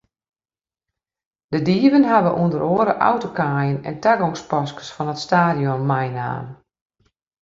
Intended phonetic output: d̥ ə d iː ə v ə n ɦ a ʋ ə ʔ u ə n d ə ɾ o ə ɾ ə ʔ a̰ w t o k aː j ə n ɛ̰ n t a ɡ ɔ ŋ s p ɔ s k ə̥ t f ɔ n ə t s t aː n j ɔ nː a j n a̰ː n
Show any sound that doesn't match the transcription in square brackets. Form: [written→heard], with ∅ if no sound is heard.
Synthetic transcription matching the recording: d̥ ə d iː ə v ə n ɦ a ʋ ə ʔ u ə n d ə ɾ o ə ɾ ə ʔ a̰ w t o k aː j ə n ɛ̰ n t a ɡ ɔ ŋ s p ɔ s k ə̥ [t→s] f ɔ n ə t s t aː [n→d] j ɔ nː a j n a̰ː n